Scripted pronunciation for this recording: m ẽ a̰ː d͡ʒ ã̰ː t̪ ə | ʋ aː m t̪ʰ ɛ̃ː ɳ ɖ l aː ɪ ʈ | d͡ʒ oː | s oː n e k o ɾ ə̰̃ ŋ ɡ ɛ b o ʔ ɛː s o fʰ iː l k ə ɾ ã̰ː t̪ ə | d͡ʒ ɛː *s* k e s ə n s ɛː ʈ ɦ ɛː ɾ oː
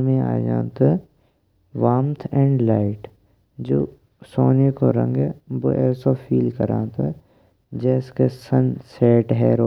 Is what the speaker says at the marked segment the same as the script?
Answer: yes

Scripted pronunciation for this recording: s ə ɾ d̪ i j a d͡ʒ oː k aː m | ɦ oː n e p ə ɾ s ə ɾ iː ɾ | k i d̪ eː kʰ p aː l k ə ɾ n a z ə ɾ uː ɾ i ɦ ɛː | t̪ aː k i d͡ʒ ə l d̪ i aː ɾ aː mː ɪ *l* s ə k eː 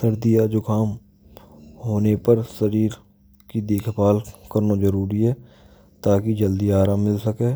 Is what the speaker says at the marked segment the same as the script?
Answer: yes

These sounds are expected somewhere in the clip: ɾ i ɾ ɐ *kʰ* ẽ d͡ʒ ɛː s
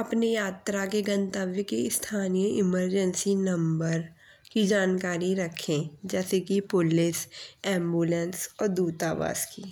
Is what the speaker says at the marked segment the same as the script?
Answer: yes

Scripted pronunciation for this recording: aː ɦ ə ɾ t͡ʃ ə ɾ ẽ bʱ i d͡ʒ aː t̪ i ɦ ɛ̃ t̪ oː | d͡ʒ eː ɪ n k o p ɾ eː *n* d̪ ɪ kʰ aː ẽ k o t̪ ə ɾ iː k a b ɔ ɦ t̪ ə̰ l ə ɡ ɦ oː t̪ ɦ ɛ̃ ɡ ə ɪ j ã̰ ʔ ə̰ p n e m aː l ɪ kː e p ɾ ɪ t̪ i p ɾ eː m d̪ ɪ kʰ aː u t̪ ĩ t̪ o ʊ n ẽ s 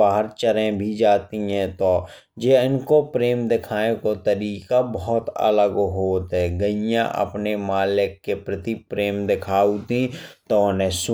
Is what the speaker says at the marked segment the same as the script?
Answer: no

